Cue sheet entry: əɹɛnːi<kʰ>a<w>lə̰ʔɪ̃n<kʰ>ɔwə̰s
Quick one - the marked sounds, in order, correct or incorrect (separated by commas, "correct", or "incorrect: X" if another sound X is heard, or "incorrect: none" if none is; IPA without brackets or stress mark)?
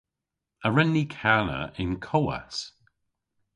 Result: correct, incorrect: none, correct